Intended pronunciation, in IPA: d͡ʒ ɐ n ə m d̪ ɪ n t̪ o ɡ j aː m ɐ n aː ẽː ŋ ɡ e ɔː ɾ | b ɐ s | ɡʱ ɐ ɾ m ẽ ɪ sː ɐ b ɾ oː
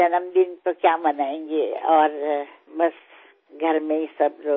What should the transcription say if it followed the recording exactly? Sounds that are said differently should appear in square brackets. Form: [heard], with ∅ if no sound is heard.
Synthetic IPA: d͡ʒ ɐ n ə m d̪ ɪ n t̪ o [k] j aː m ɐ n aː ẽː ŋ ɡ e ɔː ɾ | b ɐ s | ɡʱ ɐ ɾ m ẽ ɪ [s] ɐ b ɾ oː

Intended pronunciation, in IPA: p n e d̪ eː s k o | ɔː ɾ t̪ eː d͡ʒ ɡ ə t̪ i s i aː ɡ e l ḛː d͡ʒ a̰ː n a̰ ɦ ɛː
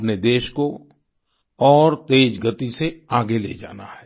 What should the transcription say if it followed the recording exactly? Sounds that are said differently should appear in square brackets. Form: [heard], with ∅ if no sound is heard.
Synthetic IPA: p n e d̪ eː [ʃ] k o | ɔː ɾ t̪ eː d͡ʒ ɡ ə t̪ i s [e] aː ɡ e l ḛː d͡ʒ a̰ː n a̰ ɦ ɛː

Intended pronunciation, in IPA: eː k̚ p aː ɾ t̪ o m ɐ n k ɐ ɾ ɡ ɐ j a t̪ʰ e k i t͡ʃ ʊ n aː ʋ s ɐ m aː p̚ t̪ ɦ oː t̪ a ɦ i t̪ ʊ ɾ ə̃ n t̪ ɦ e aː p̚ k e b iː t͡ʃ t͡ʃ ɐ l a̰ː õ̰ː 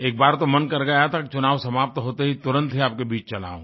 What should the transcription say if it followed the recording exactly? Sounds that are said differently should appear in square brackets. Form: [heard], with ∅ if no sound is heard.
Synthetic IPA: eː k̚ [b] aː ɾ t̪ o m ɐ n k ɐ ɾ ɡ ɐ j a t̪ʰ [a] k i t͡ʃ ʊ n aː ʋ s ɐ m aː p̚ t̪ ɦ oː t̪ [e] ɦ i t̪ ʊ ɾ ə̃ n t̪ ɦ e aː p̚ k e b iː t͡ʃ t͡ʃ ɐ l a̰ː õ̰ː

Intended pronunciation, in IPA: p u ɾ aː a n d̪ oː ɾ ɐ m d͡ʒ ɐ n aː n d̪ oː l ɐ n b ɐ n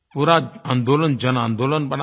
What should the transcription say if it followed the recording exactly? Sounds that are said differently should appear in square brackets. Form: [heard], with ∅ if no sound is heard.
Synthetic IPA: p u ɾ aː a n d̪ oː [l] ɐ [n] d͡ʒ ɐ n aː n d̪ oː l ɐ n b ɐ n

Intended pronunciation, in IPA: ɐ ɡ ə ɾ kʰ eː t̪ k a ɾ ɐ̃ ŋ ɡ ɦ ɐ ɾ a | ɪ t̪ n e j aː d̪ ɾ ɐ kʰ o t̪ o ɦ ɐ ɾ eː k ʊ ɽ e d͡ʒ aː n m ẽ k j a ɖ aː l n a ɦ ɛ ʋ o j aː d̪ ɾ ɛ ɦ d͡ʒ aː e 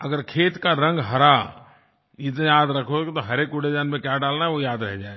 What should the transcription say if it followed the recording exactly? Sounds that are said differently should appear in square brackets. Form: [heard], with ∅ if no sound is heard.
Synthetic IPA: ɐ ɡ ə ɾ kʰ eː t̪ k a ɾ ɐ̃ ŋ ɡ ɦ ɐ ɾ a | ɪ t̪ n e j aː d̪ ɾ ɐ kʰ o t̪ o ɦ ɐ ɾ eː k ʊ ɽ e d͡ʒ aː n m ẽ k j a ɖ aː l n a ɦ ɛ ʋ o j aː d̪ ɾ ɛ ɦ d͡ʒ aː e

